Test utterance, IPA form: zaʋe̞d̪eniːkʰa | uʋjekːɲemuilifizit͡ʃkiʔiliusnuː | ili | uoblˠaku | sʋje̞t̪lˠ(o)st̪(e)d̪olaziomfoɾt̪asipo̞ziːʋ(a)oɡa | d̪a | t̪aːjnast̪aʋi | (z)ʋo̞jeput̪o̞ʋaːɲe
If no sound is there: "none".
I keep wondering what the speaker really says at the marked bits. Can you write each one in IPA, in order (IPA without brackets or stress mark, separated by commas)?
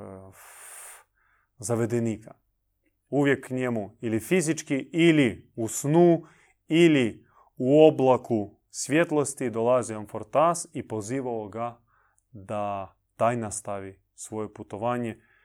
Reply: o, i, a, s